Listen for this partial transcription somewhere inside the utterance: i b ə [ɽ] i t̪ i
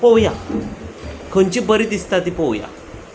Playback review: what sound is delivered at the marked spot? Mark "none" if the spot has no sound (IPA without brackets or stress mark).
ɾ